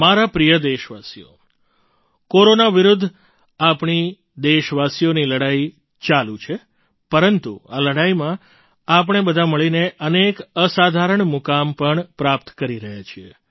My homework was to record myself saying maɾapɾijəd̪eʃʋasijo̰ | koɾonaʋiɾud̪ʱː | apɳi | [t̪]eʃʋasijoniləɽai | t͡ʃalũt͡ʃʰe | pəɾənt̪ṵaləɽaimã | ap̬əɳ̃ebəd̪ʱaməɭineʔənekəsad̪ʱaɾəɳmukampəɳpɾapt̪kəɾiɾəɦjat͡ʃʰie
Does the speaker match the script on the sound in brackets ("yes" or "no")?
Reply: no